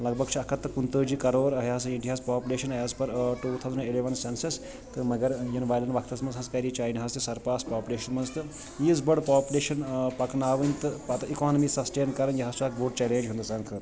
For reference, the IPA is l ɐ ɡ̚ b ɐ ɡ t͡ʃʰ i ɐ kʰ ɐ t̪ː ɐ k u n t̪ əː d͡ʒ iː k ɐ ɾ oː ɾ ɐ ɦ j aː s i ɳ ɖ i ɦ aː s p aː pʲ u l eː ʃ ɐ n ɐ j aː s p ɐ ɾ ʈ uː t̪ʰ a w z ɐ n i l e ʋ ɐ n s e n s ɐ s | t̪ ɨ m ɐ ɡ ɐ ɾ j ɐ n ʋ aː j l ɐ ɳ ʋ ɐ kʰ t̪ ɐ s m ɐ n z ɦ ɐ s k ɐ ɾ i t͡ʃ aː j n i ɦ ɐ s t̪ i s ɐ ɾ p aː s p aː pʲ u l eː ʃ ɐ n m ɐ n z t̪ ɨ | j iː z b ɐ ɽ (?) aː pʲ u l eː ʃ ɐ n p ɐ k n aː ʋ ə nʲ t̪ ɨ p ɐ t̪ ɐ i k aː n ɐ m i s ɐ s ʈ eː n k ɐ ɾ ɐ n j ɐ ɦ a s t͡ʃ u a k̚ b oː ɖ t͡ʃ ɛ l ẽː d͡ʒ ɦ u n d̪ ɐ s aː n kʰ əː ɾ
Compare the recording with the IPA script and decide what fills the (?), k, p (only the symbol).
p